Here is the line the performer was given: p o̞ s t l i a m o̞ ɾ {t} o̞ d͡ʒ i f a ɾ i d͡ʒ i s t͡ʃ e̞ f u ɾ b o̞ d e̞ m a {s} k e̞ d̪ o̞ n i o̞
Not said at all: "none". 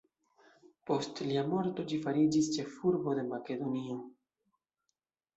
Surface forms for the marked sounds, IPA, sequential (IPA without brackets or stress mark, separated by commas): t, none